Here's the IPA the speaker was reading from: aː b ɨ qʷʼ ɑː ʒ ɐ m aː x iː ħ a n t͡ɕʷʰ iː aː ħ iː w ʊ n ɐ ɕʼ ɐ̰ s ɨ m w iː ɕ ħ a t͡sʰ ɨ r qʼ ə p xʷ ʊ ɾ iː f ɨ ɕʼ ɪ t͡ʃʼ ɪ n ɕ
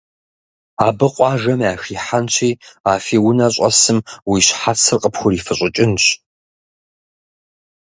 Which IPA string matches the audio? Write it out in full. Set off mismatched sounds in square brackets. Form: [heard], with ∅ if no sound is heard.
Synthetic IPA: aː b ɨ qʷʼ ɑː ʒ ɐ m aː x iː ħ a n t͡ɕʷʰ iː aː [f] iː w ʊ n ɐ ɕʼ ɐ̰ s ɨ m w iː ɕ ħ a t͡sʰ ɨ r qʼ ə p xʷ ʊ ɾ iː f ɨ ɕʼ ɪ t͡ʃʼ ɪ n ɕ